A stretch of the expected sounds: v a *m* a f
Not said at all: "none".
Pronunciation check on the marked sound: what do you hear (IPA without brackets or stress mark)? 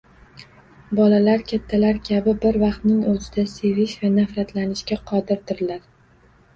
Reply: n